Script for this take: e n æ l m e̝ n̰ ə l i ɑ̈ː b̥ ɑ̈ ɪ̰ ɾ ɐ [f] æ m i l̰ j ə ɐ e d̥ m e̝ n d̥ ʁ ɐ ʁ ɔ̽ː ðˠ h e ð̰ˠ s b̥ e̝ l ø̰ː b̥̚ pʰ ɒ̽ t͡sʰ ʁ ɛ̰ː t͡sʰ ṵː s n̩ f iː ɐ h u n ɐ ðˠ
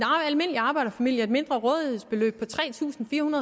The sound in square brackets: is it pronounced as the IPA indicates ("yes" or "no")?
yes